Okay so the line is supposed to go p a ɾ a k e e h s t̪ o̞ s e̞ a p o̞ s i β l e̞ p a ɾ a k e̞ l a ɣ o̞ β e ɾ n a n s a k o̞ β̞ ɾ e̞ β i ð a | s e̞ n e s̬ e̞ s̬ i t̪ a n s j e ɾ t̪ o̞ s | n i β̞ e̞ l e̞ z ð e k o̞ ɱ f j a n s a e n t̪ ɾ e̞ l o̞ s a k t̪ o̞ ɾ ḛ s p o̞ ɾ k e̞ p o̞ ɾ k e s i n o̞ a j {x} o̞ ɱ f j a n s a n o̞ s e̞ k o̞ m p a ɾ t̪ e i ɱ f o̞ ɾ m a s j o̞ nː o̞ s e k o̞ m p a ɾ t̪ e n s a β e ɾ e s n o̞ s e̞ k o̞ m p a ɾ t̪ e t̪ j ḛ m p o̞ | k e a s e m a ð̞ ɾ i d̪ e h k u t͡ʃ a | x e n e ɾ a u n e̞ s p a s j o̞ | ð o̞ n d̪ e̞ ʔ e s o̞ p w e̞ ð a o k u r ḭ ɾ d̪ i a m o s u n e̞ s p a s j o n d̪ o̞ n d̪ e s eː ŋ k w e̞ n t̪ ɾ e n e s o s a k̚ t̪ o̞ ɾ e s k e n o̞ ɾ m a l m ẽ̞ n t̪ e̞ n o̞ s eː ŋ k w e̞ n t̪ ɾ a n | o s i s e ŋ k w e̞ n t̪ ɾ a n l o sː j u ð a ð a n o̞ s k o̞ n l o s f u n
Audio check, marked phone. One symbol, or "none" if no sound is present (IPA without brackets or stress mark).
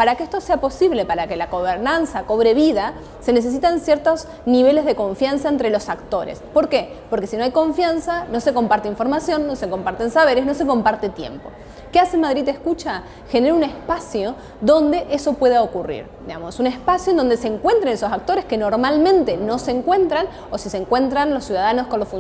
k